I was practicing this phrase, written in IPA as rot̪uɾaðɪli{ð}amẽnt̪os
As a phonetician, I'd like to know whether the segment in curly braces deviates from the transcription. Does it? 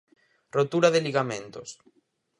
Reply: yes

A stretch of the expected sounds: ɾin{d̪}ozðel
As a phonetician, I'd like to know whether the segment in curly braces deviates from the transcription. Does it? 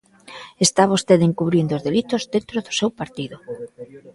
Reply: no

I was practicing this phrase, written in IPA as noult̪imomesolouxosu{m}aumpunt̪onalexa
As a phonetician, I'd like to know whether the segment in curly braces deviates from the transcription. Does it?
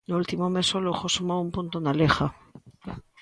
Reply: no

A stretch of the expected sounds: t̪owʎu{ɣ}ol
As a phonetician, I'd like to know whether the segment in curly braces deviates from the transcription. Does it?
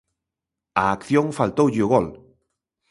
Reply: no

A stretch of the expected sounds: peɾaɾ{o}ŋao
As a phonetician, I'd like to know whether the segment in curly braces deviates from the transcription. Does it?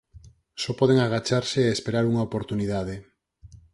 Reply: yes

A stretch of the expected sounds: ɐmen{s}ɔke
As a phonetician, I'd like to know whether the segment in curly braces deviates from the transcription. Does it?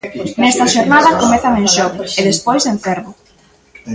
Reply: yes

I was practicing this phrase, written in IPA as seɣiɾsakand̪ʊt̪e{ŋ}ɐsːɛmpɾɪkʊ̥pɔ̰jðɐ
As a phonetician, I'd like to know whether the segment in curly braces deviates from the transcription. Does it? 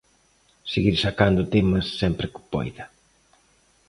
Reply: yes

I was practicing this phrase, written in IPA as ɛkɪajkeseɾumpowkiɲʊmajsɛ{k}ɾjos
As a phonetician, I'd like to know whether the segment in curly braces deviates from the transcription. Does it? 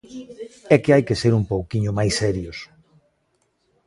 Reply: yes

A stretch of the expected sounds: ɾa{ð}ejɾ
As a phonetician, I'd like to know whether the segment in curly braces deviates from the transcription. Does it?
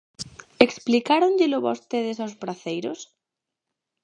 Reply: yes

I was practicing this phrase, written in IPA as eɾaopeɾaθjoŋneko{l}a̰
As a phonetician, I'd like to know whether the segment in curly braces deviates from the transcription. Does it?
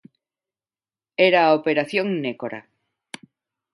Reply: yes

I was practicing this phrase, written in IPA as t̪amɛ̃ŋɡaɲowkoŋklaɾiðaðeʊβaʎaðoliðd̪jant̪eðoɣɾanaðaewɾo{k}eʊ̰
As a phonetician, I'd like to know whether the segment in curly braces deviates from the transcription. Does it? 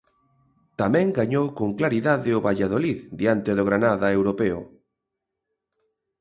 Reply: yes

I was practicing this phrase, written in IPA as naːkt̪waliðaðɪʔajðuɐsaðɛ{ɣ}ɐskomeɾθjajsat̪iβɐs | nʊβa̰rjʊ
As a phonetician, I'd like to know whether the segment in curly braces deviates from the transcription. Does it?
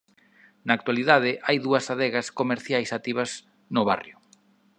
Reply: no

